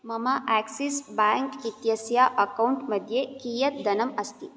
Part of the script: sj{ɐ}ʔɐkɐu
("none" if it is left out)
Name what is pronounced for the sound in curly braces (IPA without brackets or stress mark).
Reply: a